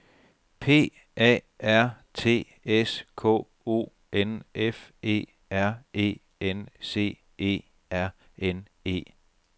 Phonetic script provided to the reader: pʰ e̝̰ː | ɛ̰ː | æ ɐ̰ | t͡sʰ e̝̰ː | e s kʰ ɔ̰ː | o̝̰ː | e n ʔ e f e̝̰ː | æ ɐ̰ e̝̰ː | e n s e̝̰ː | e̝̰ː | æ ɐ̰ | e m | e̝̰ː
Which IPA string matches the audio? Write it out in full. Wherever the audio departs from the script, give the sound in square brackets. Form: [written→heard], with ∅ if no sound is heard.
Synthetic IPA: pʰ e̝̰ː | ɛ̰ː | æ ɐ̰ | t͡sʰ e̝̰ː | e s kʰ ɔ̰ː | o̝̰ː | e n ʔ e f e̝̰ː | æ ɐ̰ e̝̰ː | e n s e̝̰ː | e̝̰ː | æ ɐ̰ | e [m→n] | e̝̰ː